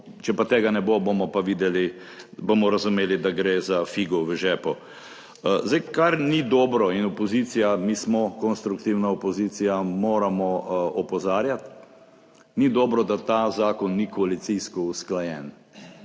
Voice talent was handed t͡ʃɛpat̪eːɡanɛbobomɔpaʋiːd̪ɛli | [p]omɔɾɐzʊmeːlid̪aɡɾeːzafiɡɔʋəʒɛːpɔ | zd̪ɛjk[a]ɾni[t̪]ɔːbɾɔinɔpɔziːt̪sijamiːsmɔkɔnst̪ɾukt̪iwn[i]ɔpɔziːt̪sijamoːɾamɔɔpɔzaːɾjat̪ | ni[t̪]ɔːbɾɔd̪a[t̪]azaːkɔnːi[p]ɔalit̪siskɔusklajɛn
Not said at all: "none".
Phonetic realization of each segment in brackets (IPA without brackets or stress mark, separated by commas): b, a, d̪, a, d̪, t̪, k